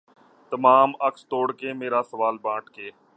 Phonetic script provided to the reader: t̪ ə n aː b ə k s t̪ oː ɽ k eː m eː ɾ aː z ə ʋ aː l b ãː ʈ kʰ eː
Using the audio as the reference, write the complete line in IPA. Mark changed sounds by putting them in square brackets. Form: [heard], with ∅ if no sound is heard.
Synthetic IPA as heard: t̪ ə [m] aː [m] ə k s t̪ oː ɽ k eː m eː ɾ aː [s] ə ʋ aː l b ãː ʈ [k] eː